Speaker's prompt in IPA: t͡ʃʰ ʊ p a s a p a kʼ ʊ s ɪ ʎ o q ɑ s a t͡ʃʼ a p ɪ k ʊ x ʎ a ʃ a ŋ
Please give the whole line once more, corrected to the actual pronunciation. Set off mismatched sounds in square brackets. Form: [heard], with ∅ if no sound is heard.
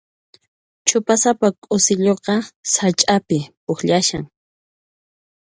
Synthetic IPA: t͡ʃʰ ʊ p a s a p a kʼ ʊ s ɪ ʎ o q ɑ s a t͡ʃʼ a p ɪ [p] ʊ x ʎ a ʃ a ŋ